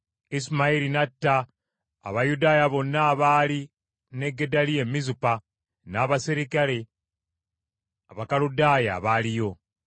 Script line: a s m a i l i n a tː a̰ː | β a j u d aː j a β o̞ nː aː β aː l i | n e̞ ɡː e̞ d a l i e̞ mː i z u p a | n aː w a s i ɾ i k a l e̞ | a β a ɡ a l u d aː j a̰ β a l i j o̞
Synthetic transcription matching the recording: i s m a i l i n a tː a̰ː | β a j u d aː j a β o̞ nː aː β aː l i | n e̞ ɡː e̞ d a l i e̞ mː i z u p a | n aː β a s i ɾ i k a l e̞ | a β a k a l u d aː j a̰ β a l i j o̞